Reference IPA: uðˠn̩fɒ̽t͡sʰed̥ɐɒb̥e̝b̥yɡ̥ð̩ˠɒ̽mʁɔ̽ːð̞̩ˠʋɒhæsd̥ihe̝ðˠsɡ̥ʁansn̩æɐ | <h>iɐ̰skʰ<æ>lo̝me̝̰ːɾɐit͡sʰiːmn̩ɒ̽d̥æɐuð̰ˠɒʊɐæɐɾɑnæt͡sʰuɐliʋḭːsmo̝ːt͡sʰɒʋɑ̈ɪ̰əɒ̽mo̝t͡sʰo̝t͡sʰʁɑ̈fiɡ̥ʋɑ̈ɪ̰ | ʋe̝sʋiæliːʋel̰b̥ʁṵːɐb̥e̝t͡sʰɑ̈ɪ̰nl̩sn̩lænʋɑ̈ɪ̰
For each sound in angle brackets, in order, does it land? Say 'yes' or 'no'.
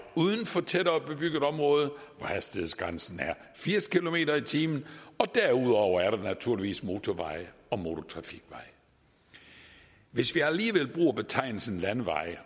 no, no

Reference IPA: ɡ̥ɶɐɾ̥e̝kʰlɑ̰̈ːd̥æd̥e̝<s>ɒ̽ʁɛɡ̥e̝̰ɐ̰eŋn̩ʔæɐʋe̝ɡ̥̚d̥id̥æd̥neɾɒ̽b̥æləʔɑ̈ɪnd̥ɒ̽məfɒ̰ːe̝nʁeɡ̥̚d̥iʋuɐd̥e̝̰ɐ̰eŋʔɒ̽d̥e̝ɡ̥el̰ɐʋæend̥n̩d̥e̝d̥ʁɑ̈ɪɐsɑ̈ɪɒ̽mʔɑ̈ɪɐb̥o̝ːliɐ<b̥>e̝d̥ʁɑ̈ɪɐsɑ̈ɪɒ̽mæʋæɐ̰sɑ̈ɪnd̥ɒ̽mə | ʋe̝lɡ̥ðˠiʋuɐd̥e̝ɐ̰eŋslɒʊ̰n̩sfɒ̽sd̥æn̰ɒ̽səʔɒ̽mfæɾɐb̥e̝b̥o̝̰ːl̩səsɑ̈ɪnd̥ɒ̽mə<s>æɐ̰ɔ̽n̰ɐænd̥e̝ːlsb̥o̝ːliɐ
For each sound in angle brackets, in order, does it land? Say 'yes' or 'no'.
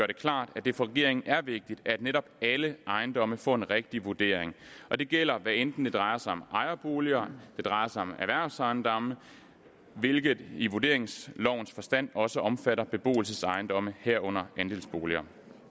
no, no, no

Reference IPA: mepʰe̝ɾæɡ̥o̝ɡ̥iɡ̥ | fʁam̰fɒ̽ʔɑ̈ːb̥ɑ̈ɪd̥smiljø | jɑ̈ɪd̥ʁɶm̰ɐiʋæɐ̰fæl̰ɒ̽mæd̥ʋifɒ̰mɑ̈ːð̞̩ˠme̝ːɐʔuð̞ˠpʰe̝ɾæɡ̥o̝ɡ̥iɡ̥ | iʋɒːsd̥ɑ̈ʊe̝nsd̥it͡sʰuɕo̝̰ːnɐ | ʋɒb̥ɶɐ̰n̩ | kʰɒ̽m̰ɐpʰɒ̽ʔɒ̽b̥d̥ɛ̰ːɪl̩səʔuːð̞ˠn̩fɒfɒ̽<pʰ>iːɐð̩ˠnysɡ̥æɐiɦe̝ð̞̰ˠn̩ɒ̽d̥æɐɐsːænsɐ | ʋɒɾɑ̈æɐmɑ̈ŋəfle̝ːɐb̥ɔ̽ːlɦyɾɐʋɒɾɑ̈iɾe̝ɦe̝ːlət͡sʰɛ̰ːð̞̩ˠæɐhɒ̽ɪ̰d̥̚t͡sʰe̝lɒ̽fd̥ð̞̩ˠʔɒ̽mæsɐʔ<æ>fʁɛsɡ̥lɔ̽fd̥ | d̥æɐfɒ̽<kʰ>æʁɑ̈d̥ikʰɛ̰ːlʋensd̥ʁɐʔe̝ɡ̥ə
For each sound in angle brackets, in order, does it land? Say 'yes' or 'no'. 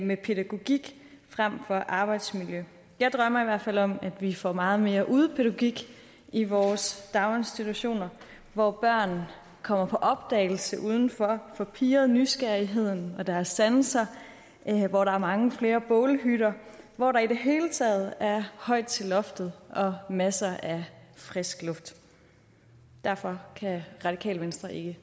yes, yes, yes

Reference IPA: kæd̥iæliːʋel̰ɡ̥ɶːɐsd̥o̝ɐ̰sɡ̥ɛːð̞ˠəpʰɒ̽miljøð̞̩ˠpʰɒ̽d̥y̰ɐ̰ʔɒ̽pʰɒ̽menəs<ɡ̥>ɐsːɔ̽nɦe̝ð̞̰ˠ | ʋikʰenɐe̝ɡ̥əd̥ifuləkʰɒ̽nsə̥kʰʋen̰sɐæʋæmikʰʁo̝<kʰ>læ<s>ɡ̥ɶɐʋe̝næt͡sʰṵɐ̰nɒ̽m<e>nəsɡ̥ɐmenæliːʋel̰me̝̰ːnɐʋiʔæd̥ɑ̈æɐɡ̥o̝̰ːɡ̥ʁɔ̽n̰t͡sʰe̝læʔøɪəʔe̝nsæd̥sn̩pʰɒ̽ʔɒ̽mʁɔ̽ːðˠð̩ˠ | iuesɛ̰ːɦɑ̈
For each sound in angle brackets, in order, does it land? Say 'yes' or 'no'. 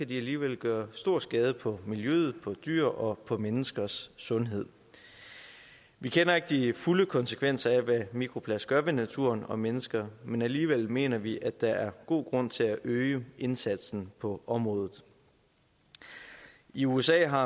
yes, no, yes, yes

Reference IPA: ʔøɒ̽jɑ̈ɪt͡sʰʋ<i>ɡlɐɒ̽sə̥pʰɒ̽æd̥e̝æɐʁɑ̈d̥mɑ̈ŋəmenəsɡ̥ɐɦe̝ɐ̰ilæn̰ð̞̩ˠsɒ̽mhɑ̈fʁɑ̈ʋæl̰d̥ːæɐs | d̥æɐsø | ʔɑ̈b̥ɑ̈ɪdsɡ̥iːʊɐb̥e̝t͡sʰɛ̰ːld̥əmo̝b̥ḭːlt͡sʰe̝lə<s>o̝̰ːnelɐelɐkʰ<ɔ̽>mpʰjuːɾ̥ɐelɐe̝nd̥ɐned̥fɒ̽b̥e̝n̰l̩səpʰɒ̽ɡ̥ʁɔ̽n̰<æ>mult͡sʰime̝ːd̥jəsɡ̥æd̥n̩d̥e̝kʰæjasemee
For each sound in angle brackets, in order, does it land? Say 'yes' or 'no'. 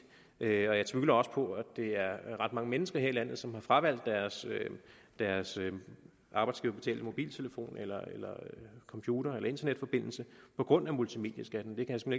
no, no, no, yes

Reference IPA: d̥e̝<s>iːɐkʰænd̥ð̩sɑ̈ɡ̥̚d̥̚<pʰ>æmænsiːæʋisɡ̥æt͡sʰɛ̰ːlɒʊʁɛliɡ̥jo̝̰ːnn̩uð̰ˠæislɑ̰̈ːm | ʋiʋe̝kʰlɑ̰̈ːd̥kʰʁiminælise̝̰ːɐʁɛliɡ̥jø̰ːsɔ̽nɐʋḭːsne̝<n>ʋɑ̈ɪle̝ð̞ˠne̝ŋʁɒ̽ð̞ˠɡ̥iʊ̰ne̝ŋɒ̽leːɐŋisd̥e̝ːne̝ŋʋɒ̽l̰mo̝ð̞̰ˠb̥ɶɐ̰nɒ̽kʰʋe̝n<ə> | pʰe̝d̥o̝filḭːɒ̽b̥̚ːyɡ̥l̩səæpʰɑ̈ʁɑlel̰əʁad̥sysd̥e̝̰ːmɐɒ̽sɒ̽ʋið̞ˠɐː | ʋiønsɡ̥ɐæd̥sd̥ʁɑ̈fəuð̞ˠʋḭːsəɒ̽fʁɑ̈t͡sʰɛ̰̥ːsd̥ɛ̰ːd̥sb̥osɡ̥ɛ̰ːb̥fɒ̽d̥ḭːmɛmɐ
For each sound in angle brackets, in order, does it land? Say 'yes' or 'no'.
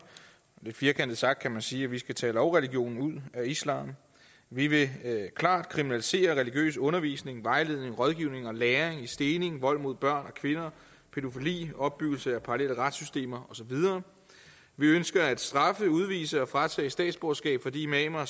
no, no, no, no

